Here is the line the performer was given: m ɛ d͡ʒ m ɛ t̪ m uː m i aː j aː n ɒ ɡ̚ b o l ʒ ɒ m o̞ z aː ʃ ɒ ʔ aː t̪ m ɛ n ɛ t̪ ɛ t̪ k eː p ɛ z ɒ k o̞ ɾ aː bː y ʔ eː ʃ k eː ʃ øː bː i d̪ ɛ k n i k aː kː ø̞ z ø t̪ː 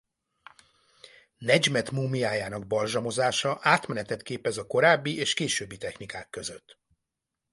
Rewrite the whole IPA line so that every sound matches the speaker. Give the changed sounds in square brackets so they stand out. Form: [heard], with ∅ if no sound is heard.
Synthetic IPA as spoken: [n] ɛ d͡ʒ m ɛ t̪ m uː m i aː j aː n ɒ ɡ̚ b [ɒ] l ʒ ɒ m o̞ z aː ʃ ɒ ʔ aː t̪ m ɛ n ɛ t̪ ɛ t̪ k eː p ɛ z ɒ k o̞ ɾ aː bː [i] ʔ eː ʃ k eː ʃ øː bː i [t̪] ɛ [x] n i k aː kː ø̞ z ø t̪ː